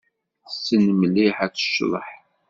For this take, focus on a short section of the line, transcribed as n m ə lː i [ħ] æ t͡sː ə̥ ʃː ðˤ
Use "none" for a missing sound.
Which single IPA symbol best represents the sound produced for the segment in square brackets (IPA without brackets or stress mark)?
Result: ħ